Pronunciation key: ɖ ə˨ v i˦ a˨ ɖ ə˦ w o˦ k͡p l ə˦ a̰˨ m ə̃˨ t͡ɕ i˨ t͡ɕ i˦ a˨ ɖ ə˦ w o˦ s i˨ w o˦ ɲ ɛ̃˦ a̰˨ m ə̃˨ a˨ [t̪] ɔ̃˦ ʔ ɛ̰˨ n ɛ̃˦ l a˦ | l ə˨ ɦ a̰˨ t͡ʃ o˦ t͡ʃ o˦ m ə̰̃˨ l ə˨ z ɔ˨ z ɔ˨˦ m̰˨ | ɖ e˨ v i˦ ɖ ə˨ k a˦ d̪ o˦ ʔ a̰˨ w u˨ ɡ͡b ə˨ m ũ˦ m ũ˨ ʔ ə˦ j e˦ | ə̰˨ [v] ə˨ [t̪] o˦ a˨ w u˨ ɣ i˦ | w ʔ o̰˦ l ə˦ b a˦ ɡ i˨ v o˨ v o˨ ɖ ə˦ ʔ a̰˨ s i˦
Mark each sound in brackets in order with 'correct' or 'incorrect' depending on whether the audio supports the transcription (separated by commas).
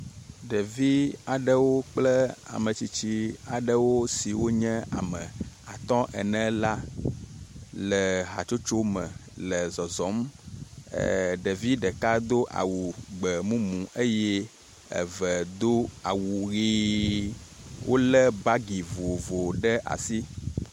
correct, correct, incorrect